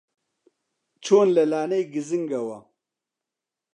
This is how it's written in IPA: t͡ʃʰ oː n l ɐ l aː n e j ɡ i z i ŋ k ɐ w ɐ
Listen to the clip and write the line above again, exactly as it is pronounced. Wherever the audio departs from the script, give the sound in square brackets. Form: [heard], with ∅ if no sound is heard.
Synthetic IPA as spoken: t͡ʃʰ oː n l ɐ l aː n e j ɡ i z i ŋ [ɡ] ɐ w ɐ